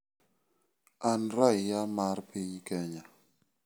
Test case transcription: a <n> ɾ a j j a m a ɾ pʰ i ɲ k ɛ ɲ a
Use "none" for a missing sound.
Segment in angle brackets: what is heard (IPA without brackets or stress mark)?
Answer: n